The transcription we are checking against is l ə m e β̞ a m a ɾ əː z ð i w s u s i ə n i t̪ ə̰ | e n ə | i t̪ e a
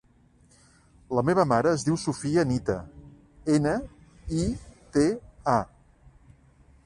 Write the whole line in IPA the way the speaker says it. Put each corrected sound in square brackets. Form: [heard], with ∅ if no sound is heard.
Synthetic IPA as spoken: l ə m e β̞ [ə] m a ɾ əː z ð i w s u [f] i ə n i t̪ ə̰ | e n ə | i t̪ e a